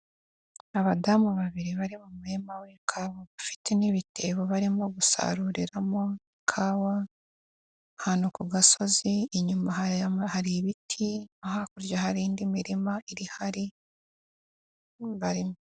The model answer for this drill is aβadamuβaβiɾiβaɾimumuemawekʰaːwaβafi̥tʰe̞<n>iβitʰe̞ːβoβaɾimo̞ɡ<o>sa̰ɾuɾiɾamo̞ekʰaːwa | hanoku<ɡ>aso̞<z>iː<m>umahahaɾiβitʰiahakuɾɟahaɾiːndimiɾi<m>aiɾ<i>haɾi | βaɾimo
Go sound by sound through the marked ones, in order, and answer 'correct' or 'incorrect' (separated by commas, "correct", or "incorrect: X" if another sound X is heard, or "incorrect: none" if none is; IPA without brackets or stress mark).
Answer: correct, incorrect: u, correct, correct, incorrect: ɲ, correct, correct